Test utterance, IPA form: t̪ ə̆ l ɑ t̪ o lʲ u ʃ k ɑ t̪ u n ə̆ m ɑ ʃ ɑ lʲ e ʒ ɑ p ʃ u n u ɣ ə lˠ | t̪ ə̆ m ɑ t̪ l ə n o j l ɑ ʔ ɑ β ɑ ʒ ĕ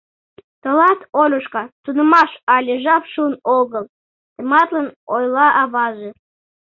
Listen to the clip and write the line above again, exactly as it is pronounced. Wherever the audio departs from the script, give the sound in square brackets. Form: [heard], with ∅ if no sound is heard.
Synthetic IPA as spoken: t̪ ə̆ l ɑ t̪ o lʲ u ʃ k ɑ t̪ u n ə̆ m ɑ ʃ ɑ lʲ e ʒ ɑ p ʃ u n [o] ɣ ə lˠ | t̪ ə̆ m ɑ t̪ l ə n o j l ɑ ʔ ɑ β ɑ ʒ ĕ

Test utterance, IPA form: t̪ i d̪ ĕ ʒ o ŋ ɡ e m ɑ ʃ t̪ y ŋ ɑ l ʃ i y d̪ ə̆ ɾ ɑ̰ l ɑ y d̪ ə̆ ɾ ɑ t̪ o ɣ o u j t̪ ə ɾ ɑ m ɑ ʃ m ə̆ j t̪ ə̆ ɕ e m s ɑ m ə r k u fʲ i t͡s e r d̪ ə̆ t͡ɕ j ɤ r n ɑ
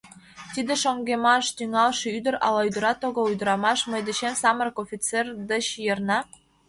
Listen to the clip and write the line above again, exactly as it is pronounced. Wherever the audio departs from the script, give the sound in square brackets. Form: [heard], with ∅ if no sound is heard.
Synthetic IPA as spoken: t̪ i d̪ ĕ [ʃ] o ŋ ɡ e m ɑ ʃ t̪ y ŋ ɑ l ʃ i y d̪ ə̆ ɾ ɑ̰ l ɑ y d̪ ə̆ ɾ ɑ t̪ o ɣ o u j [d̪] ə ɾ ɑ m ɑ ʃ m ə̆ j [d̪] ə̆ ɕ e m s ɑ m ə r k [o] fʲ i t͡s e r d̪ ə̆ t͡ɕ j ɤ r n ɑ

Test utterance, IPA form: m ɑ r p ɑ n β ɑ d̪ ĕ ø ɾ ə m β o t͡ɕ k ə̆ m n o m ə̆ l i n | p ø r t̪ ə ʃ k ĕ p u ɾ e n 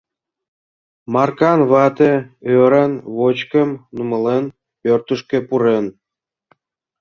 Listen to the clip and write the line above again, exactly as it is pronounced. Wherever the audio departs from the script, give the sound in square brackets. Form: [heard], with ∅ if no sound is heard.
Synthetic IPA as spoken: m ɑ r [k] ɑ n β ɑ [t̪] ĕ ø ɾ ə [n] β o t͡ɕ k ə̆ m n [u] m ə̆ l [e] n | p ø r t̪ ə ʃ k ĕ p u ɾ e n

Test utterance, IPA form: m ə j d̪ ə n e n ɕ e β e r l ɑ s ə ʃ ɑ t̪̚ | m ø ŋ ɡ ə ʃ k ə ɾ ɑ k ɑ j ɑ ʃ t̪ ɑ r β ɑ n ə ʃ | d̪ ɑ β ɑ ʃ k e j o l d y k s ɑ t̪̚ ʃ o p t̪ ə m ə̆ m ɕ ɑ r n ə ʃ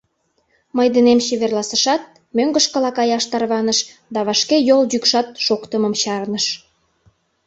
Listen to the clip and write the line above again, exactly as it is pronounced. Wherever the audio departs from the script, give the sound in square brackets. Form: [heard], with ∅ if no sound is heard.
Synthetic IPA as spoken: m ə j d̪ ə n e [m] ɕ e β e r l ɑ s ə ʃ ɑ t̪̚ | m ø ŋ ɡ ə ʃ k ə [l] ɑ k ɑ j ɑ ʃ t̪ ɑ r β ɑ n ə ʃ | d̪ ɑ β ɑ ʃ k e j o l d y k [ʃ] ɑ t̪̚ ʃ o [k] t̪ ə m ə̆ m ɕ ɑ r n ə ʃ

